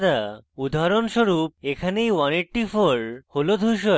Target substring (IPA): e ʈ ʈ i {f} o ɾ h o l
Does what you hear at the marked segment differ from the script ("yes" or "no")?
no